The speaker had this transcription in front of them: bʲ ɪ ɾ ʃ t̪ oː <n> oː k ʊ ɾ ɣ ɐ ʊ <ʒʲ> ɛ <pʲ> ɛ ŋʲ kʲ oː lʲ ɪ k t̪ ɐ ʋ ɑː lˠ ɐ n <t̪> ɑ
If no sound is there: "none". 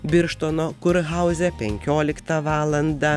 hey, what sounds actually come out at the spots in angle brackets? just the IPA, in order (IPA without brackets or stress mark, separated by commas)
n, zʲ, pʲ, d̪